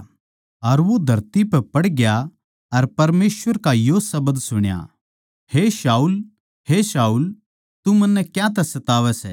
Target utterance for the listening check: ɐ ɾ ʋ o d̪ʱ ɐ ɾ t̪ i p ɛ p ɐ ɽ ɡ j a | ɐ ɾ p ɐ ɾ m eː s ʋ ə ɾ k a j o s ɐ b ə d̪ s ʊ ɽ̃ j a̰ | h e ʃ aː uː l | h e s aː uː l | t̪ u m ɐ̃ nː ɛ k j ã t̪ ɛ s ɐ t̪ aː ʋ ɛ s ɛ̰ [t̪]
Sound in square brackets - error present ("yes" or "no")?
yes